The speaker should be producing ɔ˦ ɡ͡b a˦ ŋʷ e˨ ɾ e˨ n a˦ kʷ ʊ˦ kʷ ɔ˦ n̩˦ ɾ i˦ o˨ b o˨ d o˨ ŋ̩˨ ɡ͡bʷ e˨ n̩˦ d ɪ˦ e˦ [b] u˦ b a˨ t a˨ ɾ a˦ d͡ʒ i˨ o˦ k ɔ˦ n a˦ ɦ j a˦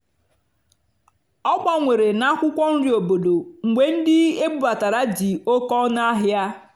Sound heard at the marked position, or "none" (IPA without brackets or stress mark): b